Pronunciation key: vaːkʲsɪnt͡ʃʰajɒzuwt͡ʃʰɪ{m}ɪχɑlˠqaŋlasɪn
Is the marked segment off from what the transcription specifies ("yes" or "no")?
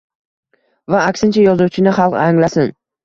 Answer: yes